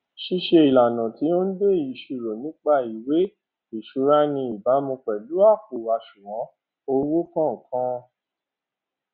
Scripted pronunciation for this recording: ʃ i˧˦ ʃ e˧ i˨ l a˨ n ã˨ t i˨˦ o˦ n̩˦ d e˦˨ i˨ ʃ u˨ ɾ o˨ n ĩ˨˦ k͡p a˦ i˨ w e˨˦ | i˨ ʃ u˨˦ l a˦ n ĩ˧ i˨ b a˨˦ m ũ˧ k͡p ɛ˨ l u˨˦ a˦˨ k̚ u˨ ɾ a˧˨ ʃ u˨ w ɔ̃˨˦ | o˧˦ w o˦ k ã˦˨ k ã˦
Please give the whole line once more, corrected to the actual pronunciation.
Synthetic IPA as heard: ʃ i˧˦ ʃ e˧ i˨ l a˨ n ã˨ t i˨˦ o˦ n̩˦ d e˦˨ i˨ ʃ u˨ ɾ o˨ n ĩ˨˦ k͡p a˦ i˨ w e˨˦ | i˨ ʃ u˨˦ ɾ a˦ n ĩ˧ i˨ b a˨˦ m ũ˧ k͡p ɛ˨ l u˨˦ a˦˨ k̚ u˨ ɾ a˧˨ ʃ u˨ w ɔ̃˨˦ | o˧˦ w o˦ k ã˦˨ k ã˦